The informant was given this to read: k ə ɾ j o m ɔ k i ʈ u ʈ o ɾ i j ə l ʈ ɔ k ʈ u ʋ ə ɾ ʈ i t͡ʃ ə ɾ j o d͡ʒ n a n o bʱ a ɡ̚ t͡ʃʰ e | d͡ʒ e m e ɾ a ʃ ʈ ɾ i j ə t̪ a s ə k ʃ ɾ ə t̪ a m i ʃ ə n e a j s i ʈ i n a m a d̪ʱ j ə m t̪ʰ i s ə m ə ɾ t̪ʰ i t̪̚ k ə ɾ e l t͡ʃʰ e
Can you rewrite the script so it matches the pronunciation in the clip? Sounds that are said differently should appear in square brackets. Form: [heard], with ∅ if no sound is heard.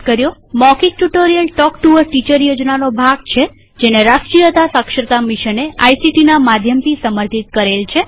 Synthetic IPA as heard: k ə ɾ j o m ɔ k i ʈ u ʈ o ɾ i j ə l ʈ ɔ k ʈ u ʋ ə ɾ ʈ i t͡ʃ ə ɾ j o d͡ʒ n a n o bʱ a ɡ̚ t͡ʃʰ e | d͡ʒ e [n] e ɾ a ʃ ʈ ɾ i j ə t̪ a s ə k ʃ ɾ ə t̪ a m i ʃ ə n e a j s i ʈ i n a m a d̪ʱ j ə m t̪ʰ i s ə m ə ɾ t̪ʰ i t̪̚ k ə ɾ e l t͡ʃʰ e